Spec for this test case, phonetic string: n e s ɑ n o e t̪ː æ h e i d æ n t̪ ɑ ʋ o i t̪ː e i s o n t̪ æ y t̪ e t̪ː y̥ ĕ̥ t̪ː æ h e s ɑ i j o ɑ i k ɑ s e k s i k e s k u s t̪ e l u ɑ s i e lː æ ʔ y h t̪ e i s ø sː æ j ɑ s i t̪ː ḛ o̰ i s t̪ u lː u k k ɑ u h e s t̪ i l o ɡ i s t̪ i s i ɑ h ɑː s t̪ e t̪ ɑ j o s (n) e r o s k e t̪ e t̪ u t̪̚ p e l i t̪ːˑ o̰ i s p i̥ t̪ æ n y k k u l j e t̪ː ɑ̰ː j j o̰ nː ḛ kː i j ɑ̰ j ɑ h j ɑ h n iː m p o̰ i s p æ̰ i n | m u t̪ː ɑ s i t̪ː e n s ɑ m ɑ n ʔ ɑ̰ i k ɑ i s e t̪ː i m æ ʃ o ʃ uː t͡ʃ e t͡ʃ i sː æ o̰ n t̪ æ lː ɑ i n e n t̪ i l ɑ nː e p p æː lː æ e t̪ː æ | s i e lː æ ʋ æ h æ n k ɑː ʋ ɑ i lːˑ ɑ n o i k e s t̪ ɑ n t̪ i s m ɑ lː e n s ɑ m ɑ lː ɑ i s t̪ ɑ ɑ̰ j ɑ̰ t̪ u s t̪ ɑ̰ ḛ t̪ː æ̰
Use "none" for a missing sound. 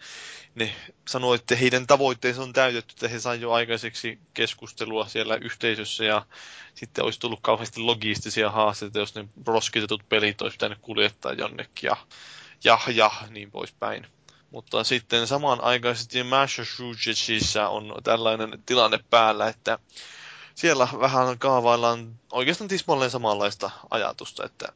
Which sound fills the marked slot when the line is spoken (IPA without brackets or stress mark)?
n